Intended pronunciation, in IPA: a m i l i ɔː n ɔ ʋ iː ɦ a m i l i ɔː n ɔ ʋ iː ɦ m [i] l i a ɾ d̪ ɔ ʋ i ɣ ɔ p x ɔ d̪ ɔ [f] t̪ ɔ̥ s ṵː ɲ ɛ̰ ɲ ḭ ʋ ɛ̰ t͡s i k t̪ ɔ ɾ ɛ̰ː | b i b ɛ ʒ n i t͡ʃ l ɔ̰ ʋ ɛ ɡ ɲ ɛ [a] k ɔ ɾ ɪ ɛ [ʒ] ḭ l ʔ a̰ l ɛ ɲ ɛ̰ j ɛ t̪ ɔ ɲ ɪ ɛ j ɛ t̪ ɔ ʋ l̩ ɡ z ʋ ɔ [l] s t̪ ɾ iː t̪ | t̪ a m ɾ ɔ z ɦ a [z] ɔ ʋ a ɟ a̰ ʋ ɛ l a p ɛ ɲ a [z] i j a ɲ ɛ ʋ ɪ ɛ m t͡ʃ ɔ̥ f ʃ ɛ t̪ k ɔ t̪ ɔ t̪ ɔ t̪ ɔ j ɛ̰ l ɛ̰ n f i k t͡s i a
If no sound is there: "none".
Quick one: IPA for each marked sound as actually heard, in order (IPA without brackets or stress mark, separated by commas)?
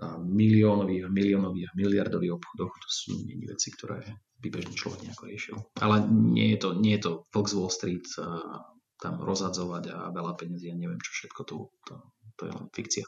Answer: i, x, a, ʃ, l, d͡z, z